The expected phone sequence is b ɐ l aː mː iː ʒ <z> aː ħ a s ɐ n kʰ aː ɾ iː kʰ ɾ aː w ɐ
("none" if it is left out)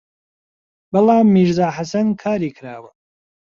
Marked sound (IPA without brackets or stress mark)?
z